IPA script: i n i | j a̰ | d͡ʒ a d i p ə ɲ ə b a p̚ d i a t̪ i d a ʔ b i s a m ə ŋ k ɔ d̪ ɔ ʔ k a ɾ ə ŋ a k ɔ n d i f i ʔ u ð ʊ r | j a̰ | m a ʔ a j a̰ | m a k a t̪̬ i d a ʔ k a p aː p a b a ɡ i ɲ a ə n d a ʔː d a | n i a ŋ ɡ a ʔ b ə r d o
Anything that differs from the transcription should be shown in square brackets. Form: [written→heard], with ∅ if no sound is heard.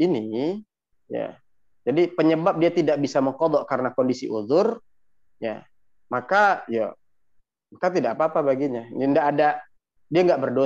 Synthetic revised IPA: i n i | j a̰ | d͡ʒ a d i p ə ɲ ə b a p̚ d i a t̪ i d a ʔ b i s a m ə ŋ k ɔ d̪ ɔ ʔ k a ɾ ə [ŋ→n] a k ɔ n d i [f→s] i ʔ u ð ʊ r | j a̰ | m a [ʔ→k] a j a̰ | m a k a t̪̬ i d a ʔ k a p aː p a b a ɡ i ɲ a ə n d a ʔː d a | [n→d] i a ŋ ɡ a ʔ b ə r d o